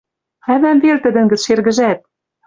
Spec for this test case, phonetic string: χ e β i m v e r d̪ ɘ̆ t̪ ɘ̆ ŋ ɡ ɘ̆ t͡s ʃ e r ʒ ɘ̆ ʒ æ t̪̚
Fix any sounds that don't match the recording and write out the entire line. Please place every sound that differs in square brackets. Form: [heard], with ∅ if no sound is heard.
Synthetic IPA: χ [æ] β [æ] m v e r [t̪] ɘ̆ [d̪] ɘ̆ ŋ ɡ ɘ̆ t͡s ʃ e r [ɣ] ɘ̆ ʒ æ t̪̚